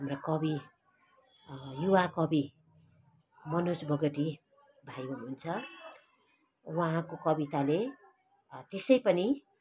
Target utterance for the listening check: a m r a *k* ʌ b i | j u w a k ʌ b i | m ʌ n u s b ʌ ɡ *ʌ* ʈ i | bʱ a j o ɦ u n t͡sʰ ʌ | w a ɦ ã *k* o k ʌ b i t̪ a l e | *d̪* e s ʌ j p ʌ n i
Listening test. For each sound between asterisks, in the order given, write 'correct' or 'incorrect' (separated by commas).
correct, correct, correct, incorrect